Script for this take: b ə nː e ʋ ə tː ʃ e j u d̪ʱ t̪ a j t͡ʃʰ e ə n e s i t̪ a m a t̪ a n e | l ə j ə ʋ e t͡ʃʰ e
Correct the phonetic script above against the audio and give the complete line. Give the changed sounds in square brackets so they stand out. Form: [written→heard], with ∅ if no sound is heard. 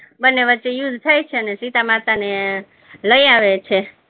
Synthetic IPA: b ə nː e ʋ ə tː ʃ e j u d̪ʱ [t̪→t̪ʰ] a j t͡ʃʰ e ə n e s i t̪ a m a t̪ a n e | l ə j [ə→a] ʋ e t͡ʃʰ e